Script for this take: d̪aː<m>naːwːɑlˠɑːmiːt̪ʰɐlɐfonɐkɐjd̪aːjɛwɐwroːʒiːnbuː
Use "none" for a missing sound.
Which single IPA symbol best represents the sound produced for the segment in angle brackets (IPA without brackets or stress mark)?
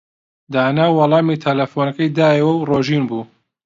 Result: none